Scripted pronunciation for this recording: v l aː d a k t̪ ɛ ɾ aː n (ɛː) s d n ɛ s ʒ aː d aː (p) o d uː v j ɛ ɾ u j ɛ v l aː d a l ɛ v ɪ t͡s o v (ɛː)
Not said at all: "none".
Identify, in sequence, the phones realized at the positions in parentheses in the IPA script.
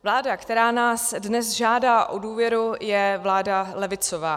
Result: aː, ʔ, aː

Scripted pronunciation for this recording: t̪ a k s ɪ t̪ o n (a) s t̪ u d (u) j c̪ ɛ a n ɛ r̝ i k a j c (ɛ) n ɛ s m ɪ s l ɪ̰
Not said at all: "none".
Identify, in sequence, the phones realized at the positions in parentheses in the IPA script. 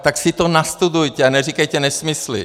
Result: a, u, ɛ

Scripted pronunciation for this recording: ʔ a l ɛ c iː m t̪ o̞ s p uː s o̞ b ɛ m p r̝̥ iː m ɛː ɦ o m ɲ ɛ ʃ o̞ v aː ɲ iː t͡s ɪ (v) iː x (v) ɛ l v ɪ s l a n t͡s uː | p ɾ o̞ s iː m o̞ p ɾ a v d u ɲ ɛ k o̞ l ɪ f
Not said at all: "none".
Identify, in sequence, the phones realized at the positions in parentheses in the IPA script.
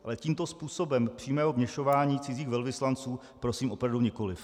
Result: z, v

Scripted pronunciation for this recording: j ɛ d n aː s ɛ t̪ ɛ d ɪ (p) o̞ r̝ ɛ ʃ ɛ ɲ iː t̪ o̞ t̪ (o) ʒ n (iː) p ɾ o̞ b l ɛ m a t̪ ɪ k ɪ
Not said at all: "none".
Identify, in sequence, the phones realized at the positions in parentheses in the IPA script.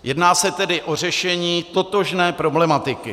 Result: ʔ, o, ɛː

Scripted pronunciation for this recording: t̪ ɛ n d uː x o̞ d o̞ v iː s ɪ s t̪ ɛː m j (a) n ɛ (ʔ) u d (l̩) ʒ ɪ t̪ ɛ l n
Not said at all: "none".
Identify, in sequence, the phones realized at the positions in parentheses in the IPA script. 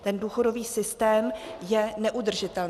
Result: ɛ, ʔ, r̩

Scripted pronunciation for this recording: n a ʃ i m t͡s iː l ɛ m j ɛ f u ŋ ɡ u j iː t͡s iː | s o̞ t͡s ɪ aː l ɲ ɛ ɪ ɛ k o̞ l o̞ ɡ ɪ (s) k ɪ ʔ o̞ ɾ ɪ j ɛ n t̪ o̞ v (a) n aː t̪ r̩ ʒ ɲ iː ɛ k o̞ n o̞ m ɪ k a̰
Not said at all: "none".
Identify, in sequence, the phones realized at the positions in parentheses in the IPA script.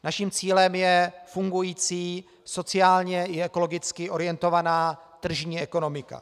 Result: t͡s, a

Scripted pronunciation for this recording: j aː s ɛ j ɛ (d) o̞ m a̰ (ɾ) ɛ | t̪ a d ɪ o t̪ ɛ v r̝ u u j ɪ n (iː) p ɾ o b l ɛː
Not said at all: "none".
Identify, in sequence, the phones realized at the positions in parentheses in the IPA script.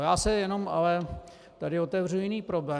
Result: n, l, iː

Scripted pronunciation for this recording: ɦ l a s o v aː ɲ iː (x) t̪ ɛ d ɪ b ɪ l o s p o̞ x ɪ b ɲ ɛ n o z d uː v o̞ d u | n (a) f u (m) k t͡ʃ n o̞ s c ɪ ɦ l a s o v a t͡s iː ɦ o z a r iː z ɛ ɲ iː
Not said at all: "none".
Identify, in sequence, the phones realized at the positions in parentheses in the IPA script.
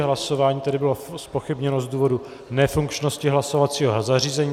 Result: none, ɛ, ŋ

